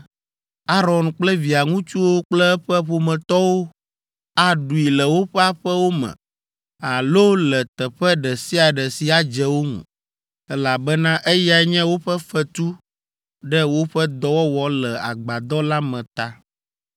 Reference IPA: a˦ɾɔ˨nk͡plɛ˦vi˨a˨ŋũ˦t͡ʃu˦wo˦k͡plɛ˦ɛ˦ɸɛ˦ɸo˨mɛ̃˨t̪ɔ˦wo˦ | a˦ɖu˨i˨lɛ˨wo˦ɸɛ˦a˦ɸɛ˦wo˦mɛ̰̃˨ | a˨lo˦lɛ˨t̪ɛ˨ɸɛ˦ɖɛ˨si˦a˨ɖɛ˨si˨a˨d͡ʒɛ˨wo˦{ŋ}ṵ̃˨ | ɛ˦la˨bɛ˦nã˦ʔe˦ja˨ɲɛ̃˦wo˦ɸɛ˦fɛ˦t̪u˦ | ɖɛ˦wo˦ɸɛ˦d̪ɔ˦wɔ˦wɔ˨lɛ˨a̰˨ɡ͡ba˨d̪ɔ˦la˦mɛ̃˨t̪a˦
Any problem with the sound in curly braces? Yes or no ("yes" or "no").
no